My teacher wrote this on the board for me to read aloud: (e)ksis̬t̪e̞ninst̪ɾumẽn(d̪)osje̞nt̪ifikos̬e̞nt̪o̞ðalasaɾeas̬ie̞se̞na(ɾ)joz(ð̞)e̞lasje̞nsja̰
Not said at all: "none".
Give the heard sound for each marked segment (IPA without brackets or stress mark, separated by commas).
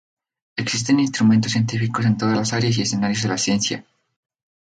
e, t̪, ɾ, ð̞